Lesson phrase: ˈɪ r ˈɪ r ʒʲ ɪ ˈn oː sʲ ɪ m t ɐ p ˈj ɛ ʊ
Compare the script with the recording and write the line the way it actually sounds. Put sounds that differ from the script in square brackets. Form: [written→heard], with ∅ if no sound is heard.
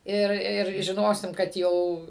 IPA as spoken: ˈɪ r ˈɪ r ʒʲ ɪ ˈn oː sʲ ɪ m [t→k] ɐ [p→t] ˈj ɛ ʊ